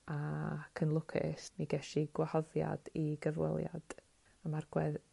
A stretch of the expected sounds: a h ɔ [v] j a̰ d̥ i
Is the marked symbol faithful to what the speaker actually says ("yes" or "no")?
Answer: no